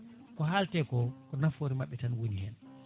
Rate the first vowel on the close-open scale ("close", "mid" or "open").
mid